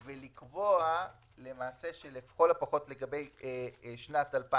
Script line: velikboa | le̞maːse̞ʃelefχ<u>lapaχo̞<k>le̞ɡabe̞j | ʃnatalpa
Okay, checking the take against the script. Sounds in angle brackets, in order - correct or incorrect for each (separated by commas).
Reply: incorrect, incorrect